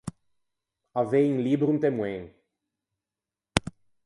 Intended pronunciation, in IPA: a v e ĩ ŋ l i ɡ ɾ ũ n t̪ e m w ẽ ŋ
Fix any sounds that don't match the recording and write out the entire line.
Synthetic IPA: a v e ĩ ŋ l i b ɾ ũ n t̪ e m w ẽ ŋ